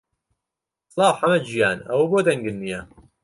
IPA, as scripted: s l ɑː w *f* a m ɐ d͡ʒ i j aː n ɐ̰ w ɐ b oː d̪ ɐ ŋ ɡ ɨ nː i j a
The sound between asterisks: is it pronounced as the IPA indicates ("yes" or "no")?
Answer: no